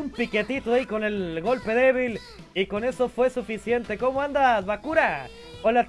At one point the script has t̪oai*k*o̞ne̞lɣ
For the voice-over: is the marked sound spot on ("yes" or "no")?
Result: yes